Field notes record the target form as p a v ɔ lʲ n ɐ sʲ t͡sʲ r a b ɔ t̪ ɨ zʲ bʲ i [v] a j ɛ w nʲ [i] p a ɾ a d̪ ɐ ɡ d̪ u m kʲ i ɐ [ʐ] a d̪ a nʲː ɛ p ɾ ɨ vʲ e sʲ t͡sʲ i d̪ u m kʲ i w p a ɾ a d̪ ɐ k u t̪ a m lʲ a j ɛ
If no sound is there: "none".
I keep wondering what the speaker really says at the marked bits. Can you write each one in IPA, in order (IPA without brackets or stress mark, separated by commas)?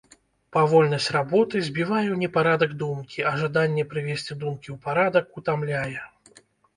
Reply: v, ɛ, ʐ